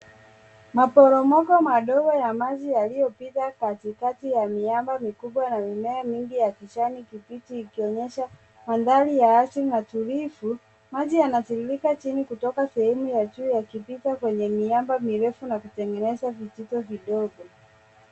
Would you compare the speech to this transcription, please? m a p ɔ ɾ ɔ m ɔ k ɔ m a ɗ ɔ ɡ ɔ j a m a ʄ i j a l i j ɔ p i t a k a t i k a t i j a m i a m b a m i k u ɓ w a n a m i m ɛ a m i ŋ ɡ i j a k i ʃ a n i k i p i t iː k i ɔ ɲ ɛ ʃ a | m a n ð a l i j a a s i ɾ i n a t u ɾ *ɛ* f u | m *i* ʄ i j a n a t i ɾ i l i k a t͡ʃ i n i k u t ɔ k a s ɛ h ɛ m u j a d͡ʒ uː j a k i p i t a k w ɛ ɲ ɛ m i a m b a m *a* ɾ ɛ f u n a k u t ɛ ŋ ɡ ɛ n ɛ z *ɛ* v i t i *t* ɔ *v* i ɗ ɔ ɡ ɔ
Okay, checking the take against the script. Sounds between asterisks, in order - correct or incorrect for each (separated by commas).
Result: incorrect, incorrect, incorrect, incorrect, correct, correct